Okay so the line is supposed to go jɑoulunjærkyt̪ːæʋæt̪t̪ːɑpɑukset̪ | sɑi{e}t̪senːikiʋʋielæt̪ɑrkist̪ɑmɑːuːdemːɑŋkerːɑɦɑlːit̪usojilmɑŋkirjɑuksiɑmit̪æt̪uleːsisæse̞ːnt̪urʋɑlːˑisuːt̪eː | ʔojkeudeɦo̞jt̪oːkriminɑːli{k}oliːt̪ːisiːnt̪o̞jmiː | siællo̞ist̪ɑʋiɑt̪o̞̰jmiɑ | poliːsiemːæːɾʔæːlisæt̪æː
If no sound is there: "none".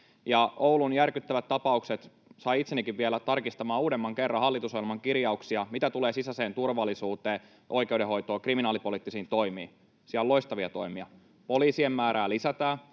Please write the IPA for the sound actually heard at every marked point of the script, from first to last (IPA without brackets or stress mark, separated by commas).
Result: i, p